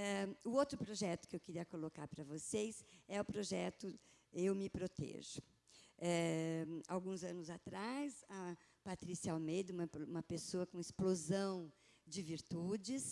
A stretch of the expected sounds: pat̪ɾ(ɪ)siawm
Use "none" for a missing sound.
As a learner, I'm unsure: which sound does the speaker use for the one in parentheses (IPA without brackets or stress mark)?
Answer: i